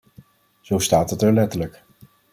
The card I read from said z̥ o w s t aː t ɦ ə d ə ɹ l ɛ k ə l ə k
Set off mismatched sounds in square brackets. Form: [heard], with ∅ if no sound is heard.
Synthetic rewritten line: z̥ o w s t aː t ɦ ə [t] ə ɹ l ɛ [t] ə l ə k